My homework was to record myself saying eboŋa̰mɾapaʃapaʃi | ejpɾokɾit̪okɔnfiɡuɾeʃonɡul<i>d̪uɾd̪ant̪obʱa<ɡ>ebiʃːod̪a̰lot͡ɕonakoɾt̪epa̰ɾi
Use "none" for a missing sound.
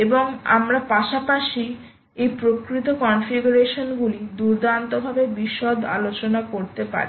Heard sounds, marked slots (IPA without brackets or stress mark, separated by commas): i, b